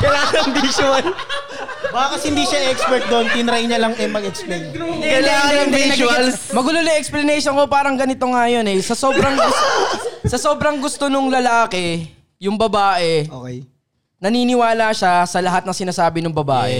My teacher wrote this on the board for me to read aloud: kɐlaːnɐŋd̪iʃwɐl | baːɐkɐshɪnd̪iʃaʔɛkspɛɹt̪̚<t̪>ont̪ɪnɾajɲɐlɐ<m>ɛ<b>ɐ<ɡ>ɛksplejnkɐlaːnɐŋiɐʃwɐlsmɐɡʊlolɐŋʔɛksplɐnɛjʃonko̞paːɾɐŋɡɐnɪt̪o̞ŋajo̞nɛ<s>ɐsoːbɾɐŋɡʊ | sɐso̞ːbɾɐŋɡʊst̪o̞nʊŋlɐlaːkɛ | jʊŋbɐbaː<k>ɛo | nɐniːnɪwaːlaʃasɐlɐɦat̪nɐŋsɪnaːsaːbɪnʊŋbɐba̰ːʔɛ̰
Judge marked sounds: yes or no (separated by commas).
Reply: no, no, no, yes, yes, no